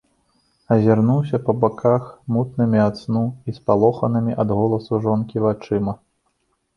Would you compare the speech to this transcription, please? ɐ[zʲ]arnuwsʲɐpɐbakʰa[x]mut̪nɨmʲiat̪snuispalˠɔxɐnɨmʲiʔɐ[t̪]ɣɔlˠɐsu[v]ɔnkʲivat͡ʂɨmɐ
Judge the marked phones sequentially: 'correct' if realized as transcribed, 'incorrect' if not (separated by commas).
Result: correct, correct, incorrect, incorrect